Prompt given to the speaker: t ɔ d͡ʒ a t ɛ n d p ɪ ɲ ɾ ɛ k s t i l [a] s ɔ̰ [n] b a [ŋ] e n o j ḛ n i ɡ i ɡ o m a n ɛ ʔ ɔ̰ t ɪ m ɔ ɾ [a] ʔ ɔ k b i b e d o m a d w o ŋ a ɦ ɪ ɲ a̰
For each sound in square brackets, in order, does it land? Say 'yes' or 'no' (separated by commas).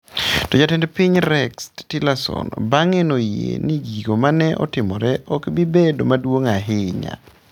yes, yes, yes, no